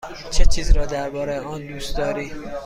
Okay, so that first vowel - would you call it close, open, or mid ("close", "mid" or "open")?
mid